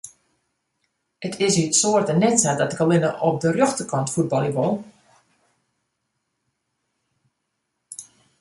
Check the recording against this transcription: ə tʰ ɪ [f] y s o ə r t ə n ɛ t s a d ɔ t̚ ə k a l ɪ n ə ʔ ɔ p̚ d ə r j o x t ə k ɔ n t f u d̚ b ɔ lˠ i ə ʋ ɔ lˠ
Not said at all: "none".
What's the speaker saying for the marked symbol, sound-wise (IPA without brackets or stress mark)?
s